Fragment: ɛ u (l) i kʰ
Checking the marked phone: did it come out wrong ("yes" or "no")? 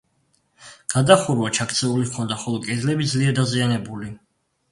no